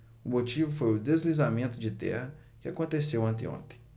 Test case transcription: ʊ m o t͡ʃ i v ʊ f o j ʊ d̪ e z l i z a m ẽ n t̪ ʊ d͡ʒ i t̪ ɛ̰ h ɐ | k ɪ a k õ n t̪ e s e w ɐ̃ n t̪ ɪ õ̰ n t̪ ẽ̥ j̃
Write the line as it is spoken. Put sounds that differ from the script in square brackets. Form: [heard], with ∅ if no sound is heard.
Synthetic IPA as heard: ʊ m o t͡ʃ i v ʊ f o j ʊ d̪ e z l i z a m ẽ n t̪ ʊ d͡ʒ [ɪ] t̪ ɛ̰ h ɐ | k ɪ a k õ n t̪ e s e w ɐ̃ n t̪ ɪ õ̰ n t̪ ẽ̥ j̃